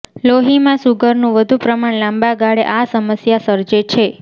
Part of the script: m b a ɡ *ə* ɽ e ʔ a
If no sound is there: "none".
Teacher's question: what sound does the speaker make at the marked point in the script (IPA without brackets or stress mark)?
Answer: a